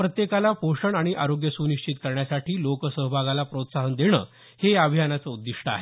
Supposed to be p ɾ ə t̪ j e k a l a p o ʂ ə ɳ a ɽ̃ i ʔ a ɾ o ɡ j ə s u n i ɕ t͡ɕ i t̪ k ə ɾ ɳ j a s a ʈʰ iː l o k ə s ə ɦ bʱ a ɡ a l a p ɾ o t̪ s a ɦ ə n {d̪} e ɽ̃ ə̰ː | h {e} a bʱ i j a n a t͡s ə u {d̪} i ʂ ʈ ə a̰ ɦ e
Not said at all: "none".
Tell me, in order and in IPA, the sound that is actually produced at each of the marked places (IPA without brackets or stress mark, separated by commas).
d̪, e, d̪ː